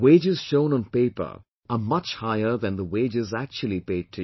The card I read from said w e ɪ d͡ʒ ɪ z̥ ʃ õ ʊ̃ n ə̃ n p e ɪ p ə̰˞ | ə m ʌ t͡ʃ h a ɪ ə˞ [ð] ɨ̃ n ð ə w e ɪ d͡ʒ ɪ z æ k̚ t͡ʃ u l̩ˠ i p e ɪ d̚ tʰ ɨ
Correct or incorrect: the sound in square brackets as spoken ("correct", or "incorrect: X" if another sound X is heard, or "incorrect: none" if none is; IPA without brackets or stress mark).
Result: correct